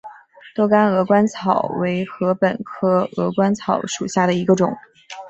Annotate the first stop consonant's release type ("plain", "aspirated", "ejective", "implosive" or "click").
plain